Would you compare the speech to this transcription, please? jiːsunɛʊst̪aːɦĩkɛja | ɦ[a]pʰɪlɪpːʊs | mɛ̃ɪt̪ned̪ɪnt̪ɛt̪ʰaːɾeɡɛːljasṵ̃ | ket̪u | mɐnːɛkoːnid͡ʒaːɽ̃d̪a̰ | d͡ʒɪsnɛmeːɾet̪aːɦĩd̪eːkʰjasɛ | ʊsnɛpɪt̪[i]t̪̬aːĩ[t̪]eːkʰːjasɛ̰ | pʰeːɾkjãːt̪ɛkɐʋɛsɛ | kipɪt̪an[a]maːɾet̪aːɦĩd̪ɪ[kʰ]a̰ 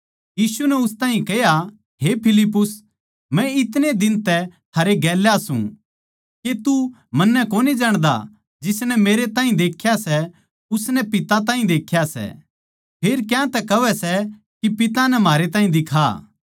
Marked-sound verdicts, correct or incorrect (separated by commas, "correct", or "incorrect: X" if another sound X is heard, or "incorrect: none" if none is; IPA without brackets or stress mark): incorrect: e, incorrect: a, incorrect: d̪, incorrect: ɛ, correct